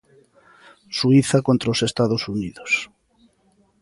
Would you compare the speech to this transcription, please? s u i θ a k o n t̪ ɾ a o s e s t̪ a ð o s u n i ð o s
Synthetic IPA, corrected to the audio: s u i θ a k o n t̪ ɾ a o s e s t̪ a ð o s u n i ð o s